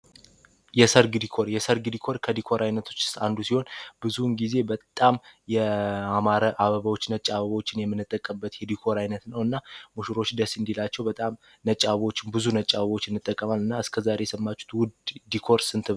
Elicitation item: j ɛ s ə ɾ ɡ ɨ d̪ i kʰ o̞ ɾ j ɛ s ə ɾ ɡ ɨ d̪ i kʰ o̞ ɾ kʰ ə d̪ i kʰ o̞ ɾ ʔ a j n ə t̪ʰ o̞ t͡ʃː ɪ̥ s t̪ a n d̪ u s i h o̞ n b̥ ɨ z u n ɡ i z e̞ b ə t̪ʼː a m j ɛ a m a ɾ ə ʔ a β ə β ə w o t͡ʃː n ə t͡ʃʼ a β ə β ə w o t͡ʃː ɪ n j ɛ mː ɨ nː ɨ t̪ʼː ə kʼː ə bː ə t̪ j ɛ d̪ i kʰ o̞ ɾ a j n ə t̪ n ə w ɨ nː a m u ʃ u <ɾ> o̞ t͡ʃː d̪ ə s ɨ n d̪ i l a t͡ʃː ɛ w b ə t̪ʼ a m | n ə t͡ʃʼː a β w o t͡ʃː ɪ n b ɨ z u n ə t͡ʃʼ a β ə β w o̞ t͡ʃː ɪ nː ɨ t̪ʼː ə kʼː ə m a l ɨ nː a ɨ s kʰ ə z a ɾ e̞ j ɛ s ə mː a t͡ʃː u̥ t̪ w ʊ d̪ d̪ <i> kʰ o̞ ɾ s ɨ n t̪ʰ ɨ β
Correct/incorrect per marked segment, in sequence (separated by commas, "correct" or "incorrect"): correct, correct